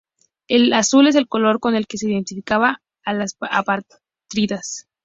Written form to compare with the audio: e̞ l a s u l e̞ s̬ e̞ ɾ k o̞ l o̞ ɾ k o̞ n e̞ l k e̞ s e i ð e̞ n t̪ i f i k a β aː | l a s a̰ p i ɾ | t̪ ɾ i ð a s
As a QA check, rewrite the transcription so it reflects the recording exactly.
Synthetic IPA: e̞ l a s u l e̞ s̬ e̞ l k o̞ l o̞ ɾ k o̞ n e̞ l k e̞ s e i ð e̞ n t̪ i f i k a β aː | l a s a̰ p a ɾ | t̪ ɾ i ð a s